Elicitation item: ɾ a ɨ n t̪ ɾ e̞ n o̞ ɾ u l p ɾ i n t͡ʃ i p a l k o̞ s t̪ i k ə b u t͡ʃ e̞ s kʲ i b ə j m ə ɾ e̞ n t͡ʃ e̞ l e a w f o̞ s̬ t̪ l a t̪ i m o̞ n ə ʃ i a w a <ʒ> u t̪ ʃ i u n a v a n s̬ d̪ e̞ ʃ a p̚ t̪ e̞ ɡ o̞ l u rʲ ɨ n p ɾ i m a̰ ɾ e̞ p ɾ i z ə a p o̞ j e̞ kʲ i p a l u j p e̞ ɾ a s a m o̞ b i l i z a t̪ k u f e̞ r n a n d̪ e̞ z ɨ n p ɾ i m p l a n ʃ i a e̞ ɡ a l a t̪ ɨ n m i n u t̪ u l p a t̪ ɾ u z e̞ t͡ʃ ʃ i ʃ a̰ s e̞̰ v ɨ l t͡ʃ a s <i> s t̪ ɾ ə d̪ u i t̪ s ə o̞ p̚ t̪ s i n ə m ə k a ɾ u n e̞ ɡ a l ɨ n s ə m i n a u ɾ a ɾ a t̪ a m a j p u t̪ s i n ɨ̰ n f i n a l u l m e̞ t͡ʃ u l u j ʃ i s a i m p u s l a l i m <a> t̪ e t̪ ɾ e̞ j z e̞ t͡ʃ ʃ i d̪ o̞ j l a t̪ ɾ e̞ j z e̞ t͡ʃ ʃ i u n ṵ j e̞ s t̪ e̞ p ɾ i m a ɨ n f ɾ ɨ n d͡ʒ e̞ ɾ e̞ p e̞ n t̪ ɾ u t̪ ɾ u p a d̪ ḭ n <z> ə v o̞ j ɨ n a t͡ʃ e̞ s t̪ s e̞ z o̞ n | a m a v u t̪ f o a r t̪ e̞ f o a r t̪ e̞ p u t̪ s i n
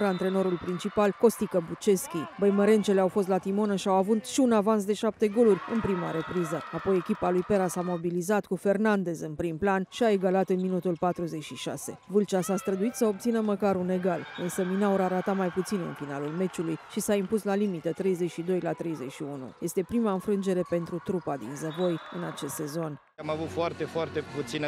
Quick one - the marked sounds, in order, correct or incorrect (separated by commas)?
incorrect, incorrect, incorrect, correct